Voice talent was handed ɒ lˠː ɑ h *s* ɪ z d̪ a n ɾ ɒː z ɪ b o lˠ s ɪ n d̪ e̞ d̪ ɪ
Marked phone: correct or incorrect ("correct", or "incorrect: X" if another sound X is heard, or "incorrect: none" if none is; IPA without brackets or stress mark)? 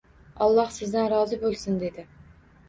correct